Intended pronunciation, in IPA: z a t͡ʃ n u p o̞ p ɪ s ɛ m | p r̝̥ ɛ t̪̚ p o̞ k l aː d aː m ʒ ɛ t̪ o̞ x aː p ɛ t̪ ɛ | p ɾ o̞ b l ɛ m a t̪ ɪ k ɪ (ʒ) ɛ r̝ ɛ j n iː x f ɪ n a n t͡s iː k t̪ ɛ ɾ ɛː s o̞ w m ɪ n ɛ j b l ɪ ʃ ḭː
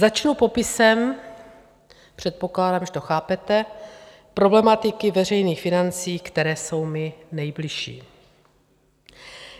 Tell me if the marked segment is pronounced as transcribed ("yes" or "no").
no